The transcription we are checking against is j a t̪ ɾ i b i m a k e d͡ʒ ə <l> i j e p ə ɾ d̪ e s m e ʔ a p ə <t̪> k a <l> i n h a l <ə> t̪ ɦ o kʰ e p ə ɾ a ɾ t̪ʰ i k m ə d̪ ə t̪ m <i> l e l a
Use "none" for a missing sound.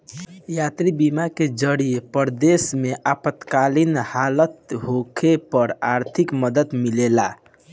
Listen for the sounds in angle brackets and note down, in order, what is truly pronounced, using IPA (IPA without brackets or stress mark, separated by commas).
ɽ, t̪, l, ə, i